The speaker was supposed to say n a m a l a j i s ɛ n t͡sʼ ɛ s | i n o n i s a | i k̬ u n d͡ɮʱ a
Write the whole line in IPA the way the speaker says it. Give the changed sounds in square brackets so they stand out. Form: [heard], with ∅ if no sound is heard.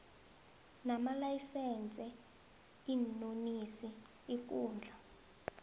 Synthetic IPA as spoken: n a m a l a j i s ɛ n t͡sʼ ɛ [∅] | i n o n i s [i] | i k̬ [uː] n d͡ɮʱ a